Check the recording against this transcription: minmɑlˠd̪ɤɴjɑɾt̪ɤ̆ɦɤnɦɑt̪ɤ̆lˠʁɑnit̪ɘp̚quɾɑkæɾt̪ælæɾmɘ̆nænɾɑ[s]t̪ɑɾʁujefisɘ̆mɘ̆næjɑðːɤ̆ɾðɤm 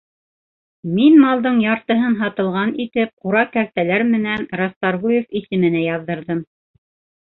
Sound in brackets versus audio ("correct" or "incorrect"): correct